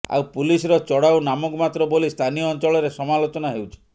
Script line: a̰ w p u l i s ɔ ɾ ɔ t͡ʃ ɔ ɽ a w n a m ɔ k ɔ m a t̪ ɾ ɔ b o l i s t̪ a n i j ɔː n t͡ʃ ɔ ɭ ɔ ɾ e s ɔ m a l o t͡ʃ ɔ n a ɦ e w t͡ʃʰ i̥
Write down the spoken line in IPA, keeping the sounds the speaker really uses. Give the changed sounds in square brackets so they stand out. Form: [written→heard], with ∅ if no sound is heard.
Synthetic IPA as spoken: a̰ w p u l i s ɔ ɾ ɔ t͡ʃ ɔ ɽ a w n a m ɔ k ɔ m a t̪ ɾ ɔ b o l i s [t̪→t̪ʰ] a n i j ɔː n t͡ʃ ɔ ɭ ɔ ɾ e s ɔ m a l o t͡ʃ ɔ n a ɦ e w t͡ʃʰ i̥